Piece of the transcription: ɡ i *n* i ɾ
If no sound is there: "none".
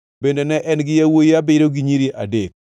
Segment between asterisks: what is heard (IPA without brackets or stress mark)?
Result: ɲ